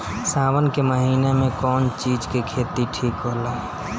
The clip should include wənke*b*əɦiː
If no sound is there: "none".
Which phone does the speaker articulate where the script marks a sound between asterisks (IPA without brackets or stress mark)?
m